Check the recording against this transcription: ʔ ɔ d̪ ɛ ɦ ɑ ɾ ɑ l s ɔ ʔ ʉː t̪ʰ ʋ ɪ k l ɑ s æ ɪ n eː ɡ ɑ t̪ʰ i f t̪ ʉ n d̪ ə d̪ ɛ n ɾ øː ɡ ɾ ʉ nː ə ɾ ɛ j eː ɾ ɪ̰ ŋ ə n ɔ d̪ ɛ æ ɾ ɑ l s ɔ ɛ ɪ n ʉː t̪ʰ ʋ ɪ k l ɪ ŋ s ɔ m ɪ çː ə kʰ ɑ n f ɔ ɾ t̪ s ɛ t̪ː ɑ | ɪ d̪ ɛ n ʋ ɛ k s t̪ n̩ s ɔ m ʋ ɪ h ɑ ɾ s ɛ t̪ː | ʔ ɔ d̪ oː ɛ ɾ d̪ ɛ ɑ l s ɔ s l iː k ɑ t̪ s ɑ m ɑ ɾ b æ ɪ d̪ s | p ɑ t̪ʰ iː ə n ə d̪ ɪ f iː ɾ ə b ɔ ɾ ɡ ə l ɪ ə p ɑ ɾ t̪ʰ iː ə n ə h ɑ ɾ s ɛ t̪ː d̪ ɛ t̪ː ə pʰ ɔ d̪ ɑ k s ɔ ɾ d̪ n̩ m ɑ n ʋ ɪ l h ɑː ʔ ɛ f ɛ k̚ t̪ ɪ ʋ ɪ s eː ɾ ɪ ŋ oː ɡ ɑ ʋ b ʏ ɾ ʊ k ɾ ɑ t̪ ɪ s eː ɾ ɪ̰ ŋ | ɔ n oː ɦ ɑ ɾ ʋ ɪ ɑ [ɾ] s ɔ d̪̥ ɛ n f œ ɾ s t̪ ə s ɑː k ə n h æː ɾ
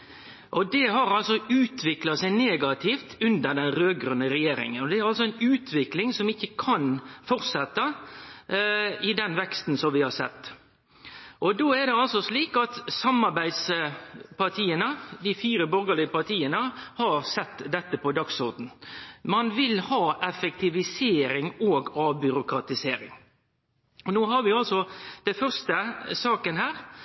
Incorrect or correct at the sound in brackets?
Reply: incorrect: l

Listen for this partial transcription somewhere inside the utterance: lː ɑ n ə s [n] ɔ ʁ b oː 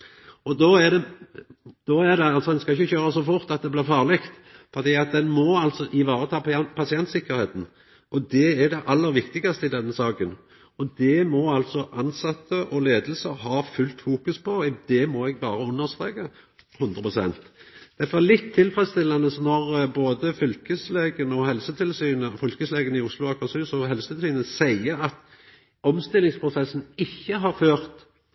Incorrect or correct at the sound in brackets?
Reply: correct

